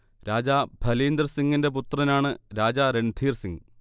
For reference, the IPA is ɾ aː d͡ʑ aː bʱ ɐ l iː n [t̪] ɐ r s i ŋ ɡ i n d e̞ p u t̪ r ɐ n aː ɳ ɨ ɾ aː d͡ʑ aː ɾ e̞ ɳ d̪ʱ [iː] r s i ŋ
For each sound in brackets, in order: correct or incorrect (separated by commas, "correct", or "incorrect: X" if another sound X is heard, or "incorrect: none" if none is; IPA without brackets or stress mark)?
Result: incorrect: d̪, correct